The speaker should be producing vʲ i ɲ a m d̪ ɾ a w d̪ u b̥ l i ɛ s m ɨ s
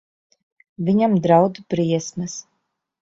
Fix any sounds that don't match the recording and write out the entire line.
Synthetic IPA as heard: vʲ i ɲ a m d̪ ɾ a w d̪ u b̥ ɾ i ɛ s m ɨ s